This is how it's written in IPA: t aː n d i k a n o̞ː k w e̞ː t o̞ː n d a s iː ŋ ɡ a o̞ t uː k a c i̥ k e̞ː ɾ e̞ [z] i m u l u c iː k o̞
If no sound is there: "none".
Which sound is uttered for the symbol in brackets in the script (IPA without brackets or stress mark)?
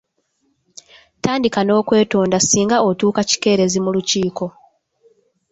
z